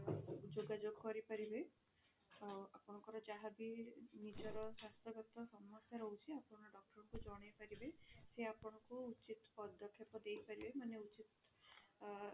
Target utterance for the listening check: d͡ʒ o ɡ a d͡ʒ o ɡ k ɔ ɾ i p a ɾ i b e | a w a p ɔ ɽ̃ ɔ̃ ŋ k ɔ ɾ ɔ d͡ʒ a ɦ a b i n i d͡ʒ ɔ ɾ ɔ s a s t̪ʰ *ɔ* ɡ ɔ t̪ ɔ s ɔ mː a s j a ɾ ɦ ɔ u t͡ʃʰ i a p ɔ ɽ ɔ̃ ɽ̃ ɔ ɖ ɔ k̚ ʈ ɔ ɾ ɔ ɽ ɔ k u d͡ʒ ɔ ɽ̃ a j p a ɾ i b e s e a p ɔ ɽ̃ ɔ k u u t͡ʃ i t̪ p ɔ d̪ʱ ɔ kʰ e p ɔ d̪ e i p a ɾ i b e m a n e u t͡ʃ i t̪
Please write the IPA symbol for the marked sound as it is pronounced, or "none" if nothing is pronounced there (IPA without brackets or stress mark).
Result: ɔ